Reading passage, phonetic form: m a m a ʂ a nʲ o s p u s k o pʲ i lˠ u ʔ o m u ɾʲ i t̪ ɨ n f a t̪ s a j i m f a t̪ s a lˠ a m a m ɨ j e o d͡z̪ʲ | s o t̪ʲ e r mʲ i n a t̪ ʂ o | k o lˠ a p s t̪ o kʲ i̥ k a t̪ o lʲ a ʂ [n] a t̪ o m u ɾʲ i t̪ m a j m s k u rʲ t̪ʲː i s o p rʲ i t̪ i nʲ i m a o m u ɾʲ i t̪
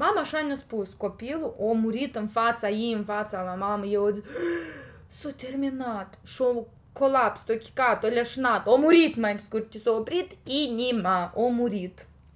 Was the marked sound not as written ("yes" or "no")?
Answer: no